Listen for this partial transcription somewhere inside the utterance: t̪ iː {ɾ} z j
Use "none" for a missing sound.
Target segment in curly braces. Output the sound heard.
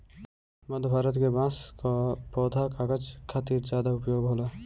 ɾ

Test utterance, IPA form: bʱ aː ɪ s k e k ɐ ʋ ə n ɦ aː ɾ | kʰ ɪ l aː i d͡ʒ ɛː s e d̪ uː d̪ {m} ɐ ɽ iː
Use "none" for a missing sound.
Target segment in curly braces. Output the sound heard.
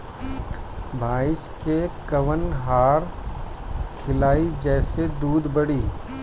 b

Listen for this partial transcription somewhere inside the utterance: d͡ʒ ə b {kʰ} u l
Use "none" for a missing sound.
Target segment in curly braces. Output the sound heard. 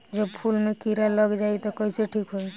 pʰ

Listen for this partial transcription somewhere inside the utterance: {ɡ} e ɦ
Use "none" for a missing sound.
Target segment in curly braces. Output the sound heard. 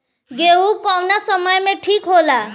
ɡ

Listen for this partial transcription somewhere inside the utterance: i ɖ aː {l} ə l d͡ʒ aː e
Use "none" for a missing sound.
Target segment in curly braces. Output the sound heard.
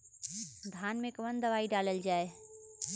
l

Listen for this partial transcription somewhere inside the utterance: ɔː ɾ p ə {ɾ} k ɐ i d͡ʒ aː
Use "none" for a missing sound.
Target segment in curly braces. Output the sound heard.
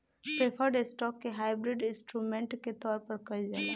ɾ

